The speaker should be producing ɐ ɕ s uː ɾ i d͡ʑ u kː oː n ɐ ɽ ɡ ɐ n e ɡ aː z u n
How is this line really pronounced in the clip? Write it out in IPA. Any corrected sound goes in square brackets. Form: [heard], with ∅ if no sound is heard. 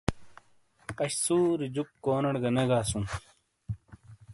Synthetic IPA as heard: ɐ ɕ s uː ɾ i d͡ʑ u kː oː n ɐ ɽ ɡ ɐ n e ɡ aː [s] u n